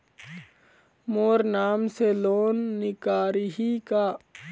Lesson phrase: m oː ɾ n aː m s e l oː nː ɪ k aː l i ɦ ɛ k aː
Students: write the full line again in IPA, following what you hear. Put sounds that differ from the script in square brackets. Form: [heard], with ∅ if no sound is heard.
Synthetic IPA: m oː ɾ n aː m s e l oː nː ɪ k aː [ɾ] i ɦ [i] k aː